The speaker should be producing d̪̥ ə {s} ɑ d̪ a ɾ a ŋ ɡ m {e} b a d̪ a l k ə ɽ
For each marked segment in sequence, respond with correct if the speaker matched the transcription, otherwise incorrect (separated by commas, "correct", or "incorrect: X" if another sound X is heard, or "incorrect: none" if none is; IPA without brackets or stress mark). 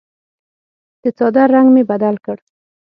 incorrect: t͡s, correct